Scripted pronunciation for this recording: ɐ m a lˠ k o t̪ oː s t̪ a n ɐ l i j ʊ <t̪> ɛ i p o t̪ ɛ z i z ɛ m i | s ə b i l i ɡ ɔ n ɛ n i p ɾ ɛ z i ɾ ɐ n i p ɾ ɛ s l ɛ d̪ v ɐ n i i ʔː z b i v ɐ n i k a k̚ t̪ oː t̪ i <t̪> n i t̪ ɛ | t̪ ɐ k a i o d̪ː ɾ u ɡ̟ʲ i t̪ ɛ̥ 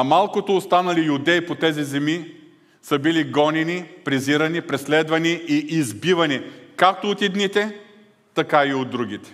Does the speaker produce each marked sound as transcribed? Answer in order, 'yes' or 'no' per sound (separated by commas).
no, no